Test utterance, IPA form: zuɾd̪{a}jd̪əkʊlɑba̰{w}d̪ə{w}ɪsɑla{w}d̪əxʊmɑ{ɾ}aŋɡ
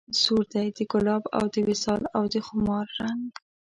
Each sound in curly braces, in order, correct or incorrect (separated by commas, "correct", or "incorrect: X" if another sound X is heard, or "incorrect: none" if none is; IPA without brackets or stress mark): correct, correct, correct, correct, incorrect: ɾː